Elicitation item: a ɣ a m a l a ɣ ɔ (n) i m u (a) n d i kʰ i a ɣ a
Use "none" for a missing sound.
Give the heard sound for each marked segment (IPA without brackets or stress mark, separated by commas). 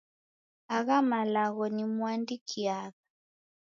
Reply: n, a